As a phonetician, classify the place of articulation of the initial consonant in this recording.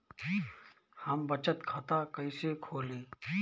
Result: glottal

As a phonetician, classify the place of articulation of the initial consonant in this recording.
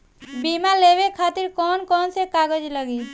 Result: labial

